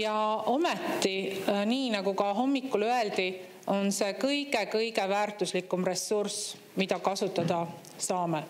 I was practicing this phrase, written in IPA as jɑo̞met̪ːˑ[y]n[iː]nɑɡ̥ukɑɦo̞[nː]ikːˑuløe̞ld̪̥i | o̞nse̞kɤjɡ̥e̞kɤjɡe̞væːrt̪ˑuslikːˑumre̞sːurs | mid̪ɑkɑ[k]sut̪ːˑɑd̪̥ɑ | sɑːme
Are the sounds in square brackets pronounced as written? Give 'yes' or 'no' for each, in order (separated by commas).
no, yes, no, no